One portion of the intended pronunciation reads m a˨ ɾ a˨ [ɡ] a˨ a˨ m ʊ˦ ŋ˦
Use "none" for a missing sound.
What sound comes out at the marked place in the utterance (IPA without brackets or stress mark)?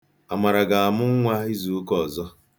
ɡ